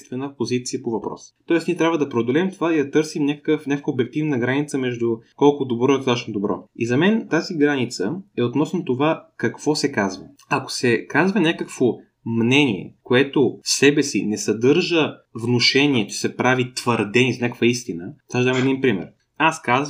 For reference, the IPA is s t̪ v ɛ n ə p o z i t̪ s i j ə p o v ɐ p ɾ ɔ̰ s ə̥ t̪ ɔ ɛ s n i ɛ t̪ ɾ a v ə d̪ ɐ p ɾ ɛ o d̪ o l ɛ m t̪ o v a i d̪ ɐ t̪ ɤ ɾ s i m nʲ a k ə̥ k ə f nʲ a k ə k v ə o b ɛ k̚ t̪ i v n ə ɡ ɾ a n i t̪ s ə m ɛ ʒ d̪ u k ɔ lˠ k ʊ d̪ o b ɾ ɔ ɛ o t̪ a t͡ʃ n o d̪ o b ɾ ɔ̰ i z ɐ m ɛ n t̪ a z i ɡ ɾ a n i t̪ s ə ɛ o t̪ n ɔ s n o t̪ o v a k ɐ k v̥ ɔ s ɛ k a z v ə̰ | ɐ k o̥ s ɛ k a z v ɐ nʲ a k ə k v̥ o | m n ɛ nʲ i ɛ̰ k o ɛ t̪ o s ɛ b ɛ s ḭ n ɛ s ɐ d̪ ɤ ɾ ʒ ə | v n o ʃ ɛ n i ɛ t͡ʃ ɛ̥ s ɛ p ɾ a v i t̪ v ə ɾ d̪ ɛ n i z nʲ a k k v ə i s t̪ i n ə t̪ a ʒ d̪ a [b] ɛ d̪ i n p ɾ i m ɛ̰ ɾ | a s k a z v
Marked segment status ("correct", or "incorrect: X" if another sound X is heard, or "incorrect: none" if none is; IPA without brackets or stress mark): incorrect: m